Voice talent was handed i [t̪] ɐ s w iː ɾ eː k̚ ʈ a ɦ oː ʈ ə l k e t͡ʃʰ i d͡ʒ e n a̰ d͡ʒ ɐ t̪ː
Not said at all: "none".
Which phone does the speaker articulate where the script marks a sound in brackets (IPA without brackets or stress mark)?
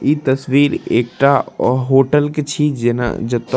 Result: t̪